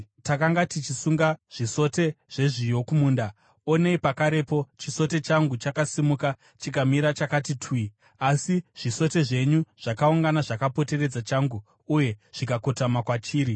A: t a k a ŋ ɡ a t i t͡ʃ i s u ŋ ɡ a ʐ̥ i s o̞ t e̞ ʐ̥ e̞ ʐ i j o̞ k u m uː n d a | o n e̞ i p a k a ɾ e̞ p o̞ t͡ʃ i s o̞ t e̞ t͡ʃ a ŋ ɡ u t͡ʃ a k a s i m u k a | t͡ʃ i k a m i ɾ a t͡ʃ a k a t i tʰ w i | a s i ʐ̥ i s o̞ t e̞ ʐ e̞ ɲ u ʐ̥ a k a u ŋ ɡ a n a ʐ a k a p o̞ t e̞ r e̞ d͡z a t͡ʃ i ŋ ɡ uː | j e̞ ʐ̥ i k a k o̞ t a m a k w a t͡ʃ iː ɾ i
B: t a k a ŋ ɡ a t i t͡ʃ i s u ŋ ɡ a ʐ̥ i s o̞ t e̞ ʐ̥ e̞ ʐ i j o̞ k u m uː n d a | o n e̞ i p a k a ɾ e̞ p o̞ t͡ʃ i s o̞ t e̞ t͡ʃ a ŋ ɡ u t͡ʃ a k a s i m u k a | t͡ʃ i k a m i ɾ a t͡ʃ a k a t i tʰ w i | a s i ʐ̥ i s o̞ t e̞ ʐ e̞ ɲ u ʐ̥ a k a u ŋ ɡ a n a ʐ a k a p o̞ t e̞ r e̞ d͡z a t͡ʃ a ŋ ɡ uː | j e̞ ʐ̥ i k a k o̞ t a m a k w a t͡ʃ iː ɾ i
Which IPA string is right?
B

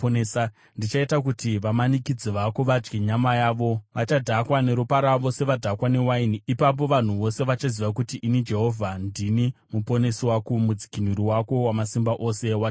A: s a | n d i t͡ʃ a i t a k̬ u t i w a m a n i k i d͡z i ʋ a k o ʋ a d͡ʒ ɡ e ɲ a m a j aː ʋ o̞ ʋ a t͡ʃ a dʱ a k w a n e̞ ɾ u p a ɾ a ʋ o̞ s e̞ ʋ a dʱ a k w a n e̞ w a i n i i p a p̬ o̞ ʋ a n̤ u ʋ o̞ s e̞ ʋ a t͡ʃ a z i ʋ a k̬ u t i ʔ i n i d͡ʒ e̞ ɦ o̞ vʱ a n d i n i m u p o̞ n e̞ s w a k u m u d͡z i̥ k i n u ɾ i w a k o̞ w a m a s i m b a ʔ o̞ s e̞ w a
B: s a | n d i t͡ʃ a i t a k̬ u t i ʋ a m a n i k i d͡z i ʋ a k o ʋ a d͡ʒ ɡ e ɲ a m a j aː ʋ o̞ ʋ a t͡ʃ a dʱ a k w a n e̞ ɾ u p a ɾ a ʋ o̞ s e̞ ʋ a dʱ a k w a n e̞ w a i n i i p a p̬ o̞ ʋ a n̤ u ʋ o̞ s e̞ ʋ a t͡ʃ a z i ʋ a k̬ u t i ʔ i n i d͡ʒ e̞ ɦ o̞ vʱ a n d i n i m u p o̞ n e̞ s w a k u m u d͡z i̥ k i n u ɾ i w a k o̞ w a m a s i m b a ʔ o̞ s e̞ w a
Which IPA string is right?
B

